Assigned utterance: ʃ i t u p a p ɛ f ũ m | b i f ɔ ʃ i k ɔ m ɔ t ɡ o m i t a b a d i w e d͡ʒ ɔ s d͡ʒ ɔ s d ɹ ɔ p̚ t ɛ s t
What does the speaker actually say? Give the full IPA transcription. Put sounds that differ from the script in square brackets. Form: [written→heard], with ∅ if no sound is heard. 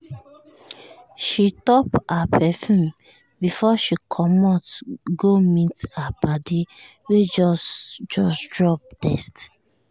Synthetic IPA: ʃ i t [u→ɔ] p a p ɛ f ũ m | b i f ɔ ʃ i [k→kʰ] ɔ m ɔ t ɡ o m i t a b a d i w e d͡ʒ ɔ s d͡ʒ ɔ s d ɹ ɔ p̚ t ɛ s t

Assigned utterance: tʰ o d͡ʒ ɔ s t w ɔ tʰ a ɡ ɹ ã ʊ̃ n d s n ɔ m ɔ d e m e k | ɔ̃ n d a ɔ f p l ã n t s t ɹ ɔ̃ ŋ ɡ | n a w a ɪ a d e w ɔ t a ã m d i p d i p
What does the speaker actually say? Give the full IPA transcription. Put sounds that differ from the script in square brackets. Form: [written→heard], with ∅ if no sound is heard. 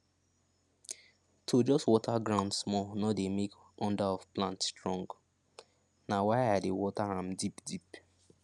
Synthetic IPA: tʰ o d͡ʒ ɔ s t w ɔ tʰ a ɡ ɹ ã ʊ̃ n d s [n→m] ɔ [m→n] ɔ d e m e k | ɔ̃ n d a ɔ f p l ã n t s t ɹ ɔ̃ ŋ ɡ | n a w a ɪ a d e w ɔ t a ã m d i p d i p

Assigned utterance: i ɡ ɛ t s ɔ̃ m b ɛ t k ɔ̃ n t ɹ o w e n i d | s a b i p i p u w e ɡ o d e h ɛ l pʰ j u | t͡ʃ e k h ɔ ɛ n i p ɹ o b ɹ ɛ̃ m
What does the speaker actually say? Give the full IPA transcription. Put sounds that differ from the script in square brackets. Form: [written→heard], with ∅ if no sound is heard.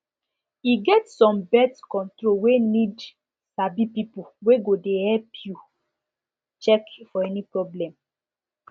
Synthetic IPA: i ɡ ɛ t s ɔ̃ m b ɛ t k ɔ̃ n t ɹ o w e n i d | s a b i p i p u w e ɡ o d e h ɛ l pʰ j u | t͡ʃ [e→ɛ] k [h→f] ɔ ɛ n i p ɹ [o→ɔ] b [ɹ→l] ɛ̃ m

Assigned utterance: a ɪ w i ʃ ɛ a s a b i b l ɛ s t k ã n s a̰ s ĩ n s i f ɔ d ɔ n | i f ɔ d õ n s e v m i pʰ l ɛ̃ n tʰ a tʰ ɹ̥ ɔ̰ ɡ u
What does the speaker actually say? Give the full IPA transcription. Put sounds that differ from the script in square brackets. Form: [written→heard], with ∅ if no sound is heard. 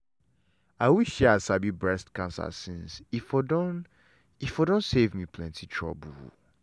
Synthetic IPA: a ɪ w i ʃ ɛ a s a b i b [l→ɹ] ɛ s t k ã n s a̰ s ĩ n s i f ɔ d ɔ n | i f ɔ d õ n s e v m i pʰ l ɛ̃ n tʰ [a→i] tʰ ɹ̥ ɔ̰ [ɡ→b] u

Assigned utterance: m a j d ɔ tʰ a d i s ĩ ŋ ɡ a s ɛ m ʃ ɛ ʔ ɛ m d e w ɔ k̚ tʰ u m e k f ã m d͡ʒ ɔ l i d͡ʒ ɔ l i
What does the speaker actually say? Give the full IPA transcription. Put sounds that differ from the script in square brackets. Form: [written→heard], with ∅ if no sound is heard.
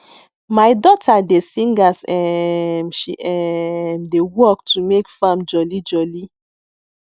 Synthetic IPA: m a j d ɔ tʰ a d [i→e] s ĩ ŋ ɡ a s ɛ m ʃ [ɛ→i] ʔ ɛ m d e w ɔ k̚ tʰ u m e k f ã m d͡ʒ ɔ l i d͡ʒ ɔ l i

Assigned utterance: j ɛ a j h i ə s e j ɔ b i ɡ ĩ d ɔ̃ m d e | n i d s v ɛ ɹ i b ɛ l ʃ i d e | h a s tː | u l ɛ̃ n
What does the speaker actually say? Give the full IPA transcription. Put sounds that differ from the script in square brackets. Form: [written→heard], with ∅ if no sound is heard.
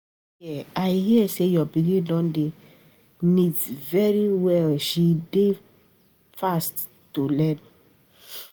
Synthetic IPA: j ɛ a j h i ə s e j ɔ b i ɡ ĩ d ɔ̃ [m→n] d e | n i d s v ɛ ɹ i [b→w] ɛ l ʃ i d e | [h→f] a s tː | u l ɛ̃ n

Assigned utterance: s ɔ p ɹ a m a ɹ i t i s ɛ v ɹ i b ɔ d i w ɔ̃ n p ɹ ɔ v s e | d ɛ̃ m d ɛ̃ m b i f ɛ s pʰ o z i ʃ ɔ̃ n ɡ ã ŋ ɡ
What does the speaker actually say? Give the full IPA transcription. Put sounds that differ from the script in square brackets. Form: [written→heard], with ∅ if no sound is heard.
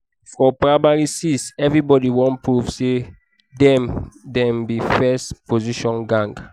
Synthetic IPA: [s→f] ɔ p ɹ a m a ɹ i [t→s] i s ɛ v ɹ i b ɔ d i w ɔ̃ n p ɹ [ɔ→u] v s e | d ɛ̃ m d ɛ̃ m b i f ɛ s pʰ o z i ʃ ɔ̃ n ɡ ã ŋ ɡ

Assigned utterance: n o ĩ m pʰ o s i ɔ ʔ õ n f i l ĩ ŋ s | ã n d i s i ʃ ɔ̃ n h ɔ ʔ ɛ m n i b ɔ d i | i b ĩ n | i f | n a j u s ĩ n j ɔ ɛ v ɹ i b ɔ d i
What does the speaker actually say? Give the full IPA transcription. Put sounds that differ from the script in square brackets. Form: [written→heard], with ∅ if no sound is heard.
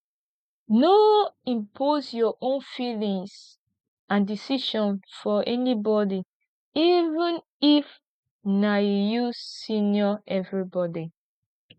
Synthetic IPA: n o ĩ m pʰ o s [i→j] ɔ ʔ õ n f i l ĩ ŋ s | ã n d i s i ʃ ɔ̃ n [h→f] ɔ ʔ ɛ [m→∅] n i b ɔ d i | i [b→v] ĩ n | i f | n a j u s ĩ n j ɔ ɛ v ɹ i b ɔ d i

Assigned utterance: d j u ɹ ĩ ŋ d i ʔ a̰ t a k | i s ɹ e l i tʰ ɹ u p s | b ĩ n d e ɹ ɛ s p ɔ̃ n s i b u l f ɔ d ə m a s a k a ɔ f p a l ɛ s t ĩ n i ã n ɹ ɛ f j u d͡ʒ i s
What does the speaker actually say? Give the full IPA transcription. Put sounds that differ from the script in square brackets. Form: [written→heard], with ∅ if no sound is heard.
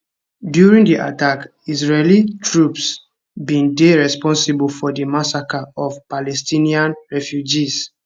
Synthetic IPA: d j u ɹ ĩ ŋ d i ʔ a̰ t a k | i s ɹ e l i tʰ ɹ u p s | b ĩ n d e ɹ ɛ s p ɔ̃ n s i b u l f ɔ d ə m a s a k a ɔ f p a l ɛ s t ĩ n i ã n ɹ ɛ f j u d͡ʒ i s

